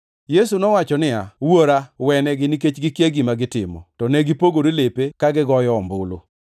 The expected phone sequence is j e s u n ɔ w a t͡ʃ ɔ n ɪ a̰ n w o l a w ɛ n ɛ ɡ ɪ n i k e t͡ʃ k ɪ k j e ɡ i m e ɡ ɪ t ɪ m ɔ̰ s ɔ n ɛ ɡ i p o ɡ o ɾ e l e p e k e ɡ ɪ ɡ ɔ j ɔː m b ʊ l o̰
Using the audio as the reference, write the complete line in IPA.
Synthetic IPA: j e s u n ɔ w a t͡ʃ ɔ n ɪ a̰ w o ɾ a w ɛ n ɛ ɡ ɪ n i k e t͡ʃ ɡ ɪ k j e ɡ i m a ɡ ɪ t ɪ m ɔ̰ t ɔ n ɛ ɡ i p o ɡ o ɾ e l e p e k a ɡ ɪ ɡ ɔ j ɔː m b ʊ l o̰